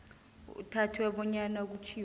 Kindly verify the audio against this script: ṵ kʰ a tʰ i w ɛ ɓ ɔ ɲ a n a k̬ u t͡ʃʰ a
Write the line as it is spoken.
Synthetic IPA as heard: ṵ tʰ a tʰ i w ɛ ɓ ɔ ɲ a n a k̬ u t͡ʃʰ i